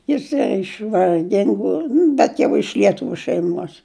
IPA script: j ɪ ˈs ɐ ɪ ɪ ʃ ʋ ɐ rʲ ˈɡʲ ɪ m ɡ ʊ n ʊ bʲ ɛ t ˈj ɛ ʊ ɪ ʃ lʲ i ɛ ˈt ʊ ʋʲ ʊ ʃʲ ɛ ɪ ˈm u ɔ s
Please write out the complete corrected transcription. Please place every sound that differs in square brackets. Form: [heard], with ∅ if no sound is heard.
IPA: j ɪ ˈs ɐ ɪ ɪ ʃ ʋ ɐ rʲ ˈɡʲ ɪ [ŋ] ɡ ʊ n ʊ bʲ ɛ t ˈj ɛ ʊ ɪ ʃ lʲ i ɛ ˈt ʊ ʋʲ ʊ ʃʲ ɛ ɪ ˈm u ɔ s